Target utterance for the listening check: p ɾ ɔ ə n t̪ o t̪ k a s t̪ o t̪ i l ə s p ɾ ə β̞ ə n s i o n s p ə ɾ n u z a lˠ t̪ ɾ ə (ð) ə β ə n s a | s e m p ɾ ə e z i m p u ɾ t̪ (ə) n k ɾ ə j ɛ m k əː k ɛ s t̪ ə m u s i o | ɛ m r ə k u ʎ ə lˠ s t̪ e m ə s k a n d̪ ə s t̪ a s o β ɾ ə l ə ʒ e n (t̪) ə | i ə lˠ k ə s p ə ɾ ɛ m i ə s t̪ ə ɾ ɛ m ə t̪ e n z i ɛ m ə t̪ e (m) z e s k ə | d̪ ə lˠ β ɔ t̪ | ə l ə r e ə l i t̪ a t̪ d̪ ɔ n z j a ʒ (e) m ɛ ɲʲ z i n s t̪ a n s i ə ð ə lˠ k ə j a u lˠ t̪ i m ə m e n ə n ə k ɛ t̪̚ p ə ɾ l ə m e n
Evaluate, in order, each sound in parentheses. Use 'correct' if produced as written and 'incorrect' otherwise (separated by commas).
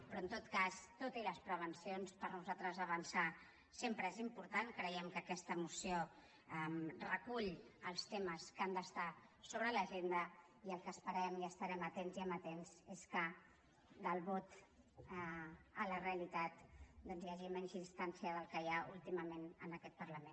incorrect, incorrect, incorrect, incorrect, incorrect